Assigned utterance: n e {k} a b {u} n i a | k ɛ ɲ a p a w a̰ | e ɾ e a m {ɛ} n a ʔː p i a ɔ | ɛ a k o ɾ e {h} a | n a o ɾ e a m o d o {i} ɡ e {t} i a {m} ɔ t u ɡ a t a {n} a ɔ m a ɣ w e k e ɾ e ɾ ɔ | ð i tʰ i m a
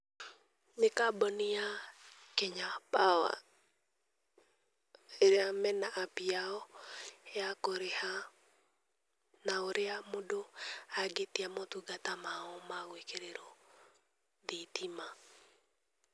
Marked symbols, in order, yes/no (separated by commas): yes, no, yes, yes, no, yes, yes, no